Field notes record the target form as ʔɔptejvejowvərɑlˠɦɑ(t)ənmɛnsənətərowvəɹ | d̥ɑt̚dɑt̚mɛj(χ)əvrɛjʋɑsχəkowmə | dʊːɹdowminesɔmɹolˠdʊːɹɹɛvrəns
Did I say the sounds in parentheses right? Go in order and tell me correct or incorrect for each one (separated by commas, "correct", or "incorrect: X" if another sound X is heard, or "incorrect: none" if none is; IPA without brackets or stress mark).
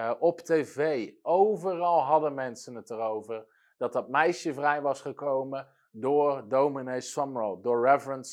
incorrect: d, incorrect: ʃ